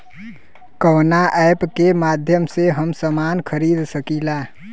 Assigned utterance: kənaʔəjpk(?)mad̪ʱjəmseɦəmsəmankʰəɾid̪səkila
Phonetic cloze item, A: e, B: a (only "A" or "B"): A